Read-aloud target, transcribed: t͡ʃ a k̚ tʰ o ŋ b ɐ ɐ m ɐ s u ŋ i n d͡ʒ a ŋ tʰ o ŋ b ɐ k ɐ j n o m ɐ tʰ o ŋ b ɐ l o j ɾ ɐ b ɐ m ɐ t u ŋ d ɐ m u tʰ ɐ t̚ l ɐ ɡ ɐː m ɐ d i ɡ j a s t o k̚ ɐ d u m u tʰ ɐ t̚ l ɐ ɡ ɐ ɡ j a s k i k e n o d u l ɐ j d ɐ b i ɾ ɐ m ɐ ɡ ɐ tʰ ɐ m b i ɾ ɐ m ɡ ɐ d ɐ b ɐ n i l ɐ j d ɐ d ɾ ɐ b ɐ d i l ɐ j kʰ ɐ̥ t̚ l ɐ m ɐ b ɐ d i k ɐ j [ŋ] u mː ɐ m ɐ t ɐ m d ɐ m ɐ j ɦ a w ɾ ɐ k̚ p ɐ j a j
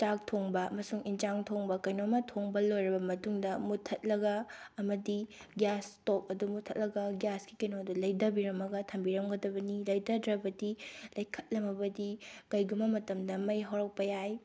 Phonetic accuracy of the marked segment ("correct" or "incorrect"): incorrect